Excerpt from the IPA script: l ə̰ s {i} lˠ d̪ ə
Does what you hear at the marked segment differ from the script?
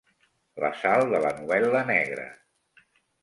yes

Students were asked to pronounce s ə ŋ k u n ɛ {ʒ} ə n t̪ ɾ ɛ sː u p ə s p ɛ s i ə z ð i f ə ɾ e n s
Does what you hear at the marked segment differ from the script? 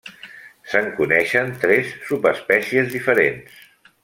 yes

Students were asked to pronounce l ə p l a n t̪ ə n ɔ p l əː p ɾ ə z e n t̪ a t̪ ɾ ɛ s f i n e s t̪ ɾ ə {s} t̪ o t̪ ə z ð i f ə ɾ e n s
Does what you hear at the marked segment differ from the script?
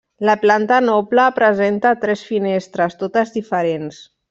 no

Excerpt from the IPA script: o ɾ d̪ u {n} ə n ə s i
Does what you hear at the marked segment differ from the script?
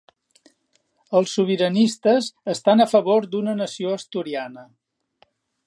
no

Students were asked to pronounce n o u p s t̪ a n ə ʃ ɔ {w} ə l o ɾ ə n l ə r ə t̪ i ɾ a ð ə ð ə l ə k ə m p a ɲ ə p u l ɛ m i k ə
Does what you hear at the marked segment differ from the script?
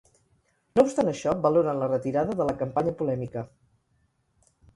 yes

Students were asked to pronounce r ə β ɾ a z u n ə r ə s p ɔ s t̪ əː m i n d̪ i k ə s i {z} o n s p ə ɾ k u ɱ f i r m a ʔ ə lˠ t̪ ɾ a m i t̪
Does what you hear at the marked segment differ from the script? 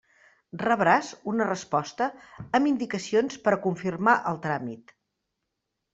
yes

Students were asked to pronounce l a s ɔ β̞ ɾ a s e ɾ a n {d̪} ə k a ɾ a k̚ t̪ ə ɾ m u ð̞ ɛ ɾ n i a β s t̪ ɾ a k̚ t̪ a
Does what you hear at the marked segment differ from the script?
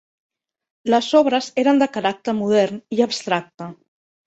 no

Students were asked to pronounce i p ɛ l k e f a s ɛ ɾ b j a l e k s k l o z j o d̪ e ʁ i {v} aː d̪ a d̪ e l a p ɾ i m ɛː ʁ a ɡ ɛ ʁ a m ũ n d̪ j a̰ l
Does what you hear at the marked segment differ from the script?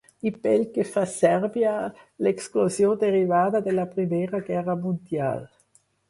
no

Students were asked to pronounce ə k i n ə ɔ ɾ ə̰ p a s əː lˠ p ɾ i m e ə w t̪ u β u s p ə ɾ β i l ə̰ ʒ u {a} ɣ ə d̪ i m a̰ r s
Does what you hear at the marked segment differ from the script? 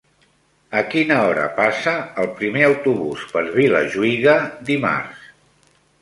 yes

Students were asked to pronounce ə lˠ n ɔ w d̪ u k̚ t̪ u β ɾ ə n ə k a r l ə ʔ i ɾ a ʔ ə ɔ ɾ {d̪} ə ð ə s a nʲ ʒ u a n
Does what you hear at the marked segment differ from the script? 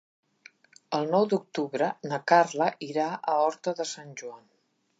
yes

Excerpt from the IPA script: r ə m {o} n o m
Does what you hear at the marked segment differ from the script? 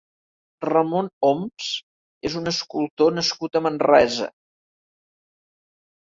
no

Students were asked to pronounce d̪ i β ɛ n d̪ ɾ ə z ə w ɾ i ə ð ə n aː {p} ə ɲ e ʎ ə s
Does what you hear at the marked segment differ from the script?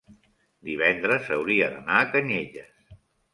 yes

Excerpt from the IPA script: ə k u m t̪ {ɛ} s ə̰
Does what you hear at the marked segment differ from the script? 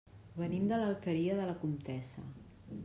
no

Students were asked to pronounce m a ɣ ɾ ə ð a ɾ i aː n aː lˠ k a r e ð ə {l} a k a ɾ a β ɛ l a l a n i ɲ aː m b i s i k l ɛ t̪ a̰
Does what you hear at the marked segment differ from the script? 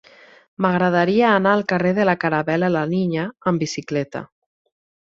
no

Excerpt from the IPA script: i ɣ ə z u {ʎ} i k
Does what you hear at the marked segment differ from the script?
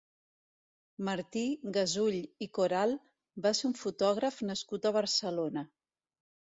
no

